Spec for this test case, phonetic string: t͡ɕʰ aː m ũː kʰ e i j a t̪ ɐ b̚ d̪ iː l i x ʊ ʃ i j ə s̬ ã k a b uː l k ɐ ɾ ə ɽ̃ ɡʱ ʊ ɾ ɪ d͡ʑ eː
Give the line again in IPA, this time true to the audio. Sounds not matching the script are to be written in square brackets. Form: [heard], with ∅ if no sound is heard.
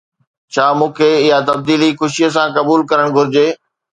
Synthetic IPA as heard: t͡ɕʰ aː m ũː kʰ e [ɪ] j a t̪ ɐ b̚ d̪ iː l i x ʊ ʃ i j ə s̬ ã k [ɐ] b uː l k ɐ ɾ ə ɽ̃ ɡʱ ʊ ɾ ɪ d͡ʑ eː